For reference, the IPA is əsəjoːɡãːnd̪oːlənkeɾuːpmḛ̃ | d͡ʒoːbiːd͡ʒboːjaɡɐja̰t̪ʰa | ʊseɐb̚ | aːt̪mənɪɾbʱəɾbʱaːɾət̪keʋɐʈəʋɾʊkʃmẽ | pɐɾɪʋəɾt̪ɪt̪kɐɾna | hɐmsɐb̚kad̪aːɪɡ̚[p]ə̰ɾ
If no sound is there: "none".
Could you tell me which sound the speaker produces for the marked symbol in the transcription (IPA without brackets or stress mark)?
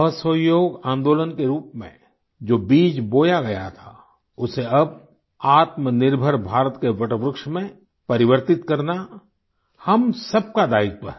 p